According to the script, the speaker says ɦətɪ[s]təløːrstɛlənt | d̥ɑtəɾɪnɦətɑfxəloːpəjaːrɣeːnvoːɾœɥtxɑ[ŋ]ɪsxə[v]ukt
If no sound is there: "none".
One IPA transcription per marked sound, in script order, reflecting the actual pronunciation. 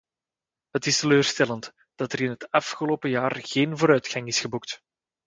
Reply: s, ŋ, b

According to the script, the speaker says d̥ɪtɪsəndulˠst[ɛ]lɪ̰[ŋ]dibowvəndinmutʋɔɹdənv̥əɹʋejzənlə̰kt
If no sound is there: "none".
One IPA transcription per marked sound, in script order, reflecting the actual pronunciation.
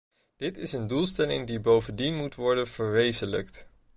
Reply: ɛ, ŋ

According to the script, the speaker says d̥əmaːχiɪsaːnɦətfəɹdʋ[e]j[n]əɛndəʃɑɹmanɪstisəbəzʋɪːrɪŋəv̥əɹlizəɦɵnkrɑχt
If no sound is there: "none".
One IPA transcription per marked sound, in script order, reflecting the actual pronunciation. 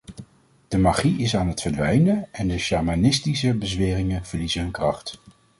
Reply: ɛ, n

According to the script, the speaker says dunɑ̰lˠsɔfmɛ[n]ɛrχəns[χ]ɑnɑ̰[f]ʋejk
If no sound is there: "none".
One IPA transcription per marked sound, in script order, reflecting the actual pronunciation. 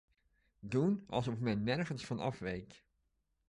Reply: nː, f, f

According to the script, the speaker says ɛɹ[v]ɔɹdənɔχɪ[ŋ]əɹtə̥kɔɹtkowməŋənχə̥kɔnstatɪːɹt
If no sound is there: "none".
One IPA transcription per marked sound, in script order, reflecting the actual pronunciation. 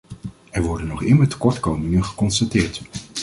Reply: ʋ, m

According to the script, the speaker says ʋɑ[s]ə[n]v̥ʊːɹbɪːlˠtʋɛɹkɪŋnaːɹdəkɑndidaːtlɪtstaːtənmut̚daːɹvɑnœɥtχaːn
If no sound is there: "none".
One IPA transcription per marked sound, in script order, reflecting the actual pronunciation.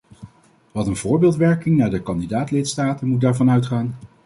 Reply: t, n

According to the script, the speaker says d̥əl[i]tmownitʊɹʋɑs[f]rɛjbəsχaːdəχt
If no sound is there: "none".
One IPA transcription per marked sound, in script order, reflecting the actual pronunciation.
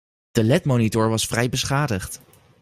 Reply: ɛ, f

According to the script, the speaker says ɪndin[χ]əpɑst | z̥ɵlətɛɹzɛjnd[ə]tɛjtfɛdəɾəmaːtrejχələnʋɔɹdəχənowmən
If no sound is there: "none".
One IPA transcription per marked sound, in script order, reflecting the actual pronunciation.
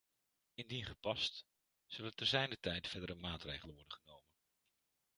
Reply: χ, ə

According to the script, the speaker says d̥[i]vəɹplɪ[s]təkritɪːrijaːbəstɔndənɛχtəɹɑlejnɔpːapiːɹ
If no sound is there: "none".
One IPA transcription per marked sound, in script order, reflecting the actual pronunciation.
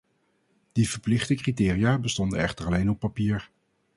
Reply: i, χ

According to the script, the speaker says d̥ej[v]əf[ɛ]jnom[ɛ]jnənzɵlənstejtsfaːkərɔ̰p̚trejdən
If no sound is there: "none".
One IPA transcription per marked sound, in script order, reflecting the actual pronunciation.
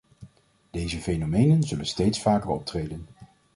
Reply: z, e, e

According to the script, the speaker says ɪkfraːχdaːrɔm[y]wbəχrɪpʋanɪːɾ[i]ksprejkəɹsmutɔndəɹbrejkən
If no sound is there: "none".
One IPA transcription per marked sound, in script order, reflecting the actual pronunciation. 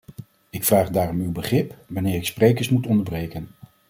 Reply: y, ɪ

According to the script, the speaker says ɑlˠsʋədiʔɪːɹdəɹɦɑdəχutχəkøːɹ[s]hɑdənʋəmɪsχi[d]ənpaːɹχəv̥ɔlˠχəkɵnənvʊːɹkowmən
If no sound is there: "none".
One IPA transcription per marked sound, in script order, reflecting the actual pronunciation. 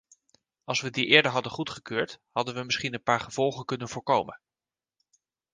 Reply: t, n

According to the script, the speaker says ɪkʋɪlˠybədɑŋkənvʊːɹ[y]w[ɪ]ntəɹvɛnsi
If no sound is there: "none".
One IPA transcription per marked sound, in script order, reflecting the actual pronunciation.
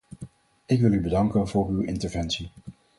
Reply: y, ɪ

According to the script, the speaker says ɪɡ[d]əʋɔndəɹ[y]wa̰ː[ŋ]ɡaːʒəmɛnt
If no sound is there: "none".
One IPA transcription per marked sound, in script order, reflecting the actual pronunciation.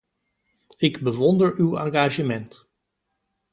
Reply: b, y, ŋ

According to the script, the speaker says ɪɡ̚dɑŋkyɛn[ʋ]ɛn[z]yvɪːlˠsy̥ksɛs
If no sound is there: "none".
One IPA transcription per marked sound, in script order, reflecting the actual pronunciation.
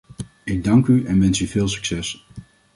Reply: ʋ, s

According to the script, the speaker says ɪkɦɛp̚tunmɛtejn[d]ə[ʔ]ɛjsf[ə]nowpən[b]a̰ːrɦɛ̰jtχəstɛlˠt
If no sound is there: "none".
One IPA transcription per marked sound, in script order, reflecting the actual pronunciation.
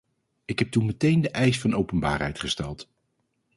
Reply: d, ʔ, ɑ, b

